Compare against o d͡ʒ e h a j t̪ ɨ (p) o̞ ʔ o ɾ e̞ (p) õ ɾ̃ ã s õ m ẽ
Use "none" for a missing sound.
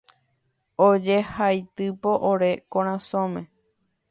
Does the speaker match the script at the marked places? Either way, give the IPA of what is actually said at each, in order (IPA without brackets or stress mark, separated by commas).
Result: p, k